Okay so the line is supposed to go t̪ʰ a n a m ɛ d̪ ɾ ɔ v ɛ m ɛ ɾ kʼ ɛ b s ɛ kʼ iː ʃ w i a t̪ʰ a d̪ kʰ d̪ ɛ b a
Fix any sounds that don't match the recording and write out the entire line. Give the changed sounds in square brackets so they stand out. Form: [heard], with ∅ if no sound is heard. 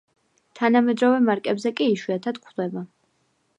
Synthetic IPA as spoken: t̪ʰ a n a m ɛ d̪ ɾ ɔ v ɛ m [a] ɾ kʼ ɛ b [z] ɛ kʼ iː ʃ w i a t̪ʰ a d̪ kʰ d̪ ɛ b a